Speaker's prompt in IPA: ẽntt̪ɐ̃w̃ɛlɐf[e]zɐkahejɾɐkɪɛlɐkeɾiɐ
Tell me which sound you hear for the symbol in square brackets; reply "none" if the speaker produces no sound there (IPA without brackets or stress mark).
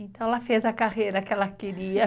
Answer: e